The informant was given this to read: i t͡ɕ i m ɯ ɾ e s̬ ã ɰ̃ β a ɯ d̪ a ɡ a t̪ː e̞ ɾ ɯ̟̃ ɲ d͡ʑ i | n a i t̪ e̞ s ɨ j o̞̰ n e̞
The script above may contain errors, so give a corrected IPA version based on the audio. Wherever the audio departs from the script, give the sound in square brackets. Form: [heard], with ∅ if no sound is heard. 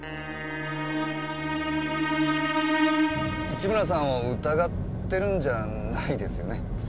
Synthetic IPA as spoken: i t͡ɕ i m ɯ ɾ [a] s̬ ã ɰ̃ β a ɯ [t̪] a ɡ a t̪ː e̞ ɾ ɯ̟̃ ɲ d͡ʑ [a] | n a i [d̪] e̞ s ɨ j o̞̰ n e̞